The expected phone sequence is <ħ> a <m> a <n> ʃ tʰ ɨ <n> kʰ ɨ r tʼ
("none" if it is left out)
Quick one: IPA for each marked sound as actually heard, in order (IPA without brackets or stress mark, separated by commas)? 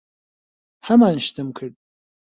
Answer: ħ, m, n, m